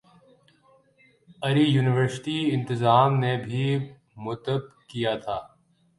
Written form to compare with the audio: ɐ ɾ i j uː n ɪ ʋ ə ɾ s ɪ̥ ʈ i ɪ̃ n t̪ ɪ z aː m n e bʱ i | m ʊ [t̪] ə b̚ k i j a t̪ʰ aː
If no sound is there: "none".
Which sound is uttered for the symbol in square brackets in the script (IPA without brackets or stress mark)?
t̪